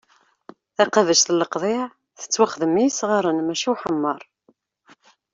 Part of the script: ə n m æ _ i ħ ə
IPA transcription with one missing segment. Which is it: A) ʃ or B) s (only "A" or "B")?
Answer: A